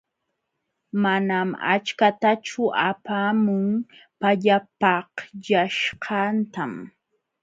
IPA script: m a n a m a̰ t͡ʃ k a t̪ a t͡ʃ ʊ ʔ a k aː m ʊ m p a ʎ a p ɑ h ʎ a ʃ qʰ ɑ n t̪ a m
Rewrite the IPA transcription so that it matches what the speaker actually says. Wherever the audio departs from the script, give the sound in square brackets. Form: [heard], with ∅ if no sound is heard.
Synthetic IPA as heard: m a n a m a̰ t͡ʃ k a t̪ a t͡ʃ ʊ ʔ a [p] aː m ʊ [ŋ] p a ʎ a p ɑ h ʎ a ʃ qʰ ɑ n t̪ a m